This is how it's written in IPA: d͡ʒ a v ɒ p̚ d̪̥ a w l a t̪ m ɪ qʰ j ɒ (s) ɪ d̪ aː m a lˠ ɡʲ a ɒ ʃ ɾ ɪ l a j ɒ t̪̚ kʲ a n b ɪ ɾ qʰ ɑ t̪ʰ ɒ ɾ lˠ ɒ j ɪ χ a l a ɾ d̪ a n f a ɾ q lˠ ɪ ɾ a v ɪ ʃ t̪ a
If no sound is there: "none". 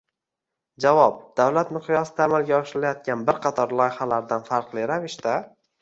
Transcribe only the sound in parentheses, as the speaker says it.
s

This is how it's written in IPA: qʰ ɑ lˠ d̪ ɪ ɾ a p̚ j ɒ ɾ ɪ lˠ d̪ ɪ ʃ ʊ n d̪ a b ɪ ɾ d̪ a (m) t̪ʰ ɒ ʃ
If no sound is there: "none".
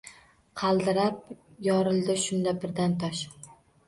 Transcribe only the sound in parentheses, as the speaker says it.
n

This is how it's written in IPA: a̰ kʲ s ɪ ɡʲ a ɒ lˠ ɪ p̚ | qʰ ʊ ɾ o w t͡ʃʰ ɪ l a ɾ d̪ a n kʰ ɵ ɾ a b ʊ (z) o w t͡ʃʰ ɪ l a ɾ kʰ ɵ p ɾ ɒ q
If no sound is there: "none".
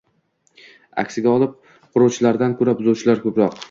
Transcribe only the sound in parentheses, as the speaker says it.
z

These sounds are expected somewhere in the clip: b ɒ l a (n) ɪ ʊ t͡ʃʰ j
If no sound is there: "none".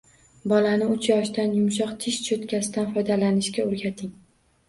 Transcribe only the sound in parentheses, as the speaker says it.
n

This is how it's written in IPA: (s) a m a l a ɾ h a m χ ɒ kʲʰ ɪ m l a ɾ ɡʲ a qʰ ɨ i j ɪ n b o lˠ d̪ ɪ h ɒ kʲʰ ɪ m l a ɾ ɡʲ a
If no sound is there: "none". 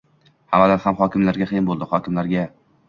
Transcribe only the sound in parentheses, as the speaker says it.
h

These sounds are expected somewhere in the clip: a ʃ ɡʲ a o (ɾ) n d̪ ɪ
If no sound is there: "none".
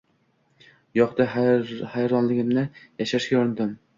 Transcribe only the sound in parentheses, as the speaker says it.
ɾ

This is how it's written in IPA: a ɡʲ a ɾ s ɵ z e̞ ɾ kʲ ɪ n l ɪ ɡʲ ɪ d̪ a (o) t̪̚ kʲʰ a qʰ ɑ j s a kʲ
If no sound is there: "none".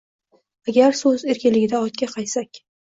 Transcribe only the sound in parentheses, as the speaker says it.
ɒ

